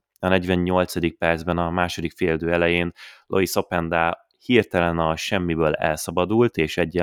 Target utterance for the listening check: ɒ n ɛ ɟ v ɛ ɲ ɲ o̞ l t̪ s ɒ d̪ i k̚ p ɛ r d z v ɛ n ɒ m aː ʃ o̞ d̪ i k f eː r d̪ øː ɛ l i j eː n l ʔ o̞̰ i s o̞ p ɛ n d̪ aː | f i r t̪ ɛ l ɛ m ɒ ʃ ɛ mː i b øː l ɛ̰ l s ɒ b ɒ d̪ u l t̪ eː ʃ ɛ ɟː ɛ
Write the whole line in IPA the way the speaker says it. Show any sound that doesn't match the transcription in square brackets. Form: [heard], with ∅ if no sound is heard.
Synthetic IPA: ɒ n ɛ ɟ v ɛ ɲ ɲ o̞ l t̪ s ɒ d̪ i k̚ p ɛ r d z [b] ɛ n ɒ m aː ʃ o̞ d̪ i k f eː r d̪ øː ɛ l [ɛ] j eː n l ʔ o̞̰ i s o̞ p ɛ n d̪ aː | [h] i r t̪ ɛ l ɛ [n] ɒ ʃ ɛ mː i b øː l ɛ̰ l s ɒ b ɒ d̪ u l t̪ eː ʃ ɛ ɟː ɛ